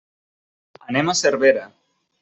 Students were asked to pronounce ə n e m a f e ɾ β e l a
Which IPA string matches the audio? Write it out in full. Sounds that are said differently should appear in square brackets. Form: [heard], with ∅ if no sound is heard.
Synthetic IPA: [a] n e m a [s] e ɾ β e [ɾ] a